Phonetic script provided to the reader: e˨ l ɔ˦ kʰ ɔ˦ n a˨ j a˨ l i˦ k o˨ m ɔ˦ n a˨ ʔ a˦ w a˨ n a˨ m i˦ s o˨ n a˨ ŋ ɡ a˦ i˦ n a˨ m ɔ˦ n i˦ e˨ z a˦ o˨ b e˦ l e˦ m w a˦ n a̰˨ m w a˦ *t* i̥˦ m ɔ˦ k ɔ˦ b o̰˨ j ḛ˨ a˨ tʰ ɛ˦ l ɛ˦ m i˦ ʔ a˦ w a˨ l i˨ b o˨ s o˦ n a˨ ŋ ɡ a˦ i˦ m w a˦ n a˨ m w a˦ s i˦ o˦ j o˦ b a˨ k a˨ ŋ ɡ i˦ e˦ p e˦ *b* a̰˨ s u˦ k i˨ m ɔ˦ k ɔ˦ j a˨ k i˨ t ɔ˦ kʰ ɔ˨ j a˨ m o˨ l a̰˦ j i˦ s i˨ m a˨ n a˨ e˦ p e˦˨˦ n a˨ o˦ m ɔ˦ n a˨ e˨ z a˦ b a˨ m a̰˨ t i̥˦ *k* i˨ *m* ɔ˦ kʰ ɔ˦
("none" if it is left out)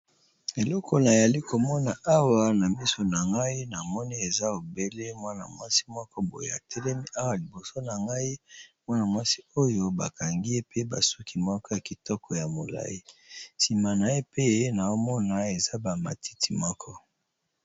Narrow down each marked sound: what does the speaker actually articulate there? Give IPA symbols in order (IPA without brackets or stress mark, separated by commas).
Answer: s, b, t, m